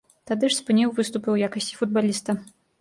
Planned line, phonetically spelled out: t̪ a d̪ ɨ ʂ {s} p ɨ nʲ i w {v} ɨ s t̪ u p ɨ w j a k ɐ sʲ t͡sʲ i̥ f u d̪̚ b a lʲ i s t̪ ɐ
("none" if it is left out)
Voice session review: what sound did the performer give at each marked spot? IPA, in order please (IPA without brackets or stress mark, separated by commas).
s, v